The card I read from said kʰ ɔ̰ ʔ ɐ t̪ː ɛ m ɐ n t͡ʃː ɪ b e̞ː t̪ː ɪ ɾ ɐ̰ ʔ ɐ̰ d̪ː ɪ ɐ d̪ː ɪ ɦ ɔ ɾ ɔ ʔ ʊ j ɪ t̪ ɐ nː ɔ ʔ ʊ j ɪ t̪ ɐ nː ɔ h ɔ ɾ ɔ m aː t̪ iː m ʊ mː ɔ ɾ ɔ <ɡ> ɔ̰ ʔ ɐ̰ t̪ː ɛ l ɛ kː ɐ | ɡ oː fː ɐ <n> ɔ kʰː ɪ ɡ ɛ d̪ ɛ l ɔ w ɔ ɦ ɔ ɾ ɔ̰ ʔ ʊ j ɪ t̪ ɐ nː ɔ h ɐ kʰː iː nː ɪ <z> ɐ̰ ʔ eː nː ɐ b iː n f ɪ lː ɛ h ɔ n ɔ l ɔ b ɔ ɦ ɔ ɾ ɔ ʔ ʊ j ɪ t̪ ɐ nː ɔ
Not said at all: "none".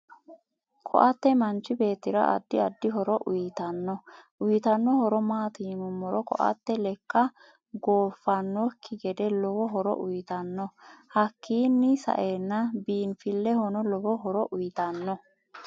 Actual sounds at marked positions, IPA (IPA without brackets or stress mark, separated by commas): k, nː, s